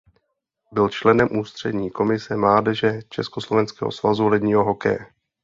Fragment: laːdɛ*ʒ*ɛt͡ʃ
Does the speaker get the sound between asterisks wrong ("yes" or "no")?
no